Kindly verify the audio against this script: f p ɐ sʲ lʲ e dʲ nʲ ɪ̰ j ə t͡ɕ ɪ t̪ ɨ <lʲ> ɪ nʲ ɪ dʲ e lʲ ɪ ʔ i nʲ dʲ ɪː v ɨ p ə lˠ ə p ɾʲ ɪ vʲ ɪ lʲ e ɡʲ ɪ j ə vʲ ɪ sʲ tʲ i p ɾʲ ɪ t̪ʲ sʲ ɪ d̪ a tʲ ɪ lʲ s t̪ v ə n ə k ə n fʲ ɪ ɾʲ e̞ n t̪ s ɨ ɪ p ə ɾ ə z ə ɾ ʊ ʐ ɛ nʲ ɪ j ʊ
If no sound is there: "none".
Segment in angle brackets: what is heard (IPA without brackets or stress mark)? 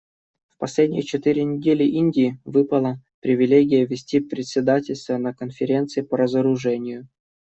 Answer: ɾʲ